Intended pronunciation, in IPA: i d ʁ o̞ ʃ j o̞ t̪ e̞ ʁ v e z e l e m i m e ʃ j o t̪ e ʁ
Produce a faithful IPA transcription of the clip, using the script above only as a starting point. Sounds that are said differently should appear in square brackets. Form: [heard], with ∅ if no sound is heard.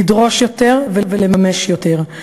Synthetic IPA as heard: i d ʁ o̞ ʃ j o̞ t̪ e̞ ʁ v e [v] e l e m [a] m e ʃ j o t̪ e ʁ